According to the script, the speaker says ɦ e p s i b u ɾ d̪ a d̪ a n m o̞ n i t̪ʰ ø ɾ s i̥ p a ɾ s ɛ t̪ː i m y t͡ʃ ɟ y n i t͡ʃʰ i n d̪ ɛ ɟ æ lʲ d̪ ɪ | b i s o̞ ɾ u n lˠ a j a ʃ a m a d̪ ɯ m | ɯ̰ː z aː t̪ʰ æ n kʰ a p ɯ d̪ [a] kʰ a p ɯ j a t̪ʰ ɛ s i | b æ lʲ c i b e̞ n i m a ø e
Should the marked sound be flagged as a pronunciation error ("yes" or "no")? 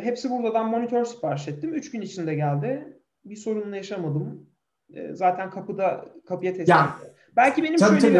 no